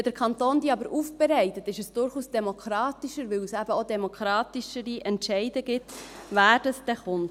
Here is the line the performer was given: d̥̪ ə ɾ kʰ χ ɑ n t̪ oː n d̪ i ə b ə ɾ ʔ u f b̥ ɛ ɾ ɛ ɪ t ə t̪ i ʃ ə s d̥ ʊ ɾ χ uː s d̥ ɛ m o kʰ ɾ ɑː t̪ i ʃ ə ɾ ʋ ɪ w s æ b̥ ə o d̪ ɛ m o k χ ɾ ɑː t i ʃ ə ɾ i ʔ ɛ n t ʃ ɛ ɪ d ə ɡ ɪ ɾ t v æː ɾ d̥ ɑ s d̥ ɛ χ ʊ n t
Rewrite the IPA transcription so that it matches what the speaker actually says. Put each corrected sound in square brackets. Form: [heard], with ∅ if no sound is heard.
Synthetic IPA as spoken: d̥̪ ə ɾ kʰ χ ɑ n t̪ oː n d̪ i [ɑ] b ə ɾ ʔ u f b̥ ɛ ɾ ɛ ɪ t ə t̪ [ɪ] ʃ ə s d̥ ʊ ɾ χ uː s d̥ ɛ m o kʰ ɾ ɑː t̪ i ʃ ə ɾ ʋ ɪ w s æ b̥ ə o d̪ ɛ m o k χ ɾ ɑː t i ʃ ə ɾ i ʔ ɛ n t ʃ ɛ ɪ d ə ɡ ɪ [∅] t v æː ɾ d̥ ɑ s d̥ ɛ χ ʊ n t